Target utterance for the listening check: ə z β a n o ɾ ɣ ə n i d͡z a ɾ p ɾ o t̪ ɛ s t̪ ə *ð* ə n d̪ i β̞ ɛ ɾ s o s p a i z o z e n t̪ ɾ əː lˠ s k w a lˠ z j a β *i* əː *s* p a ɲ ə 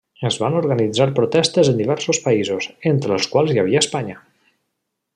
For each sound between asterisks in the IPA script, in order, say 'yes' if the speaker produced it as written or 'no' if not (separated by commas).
no, yes, yes